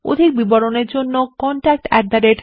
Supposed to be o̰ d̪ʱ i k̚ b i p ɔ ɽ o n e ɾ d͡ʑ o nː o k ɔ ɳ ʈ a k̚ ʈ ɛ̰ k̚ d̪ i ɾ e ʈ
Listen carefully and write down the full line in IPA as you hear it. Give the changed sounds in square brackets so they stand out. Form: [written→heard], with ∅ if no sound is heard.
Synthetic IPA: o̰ d̪ʱ i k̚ b i [p→b] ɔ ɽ o n e ɾ d͡ʑ o nː o k ɔ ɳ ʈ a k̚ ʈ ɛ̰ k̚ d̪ [i→a] ɾ e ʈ